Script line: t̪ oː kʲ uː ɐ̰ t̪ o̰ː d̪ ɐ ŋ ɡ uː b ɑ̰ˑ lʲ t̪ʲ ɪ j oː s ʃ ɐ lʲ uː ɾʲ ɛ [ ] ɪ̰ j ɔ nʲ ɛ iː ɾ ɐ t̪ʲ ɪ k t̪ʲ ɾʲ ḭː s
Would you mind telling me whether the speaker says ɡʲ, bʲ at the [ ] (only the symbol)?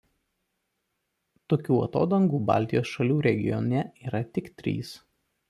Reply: ɡʲ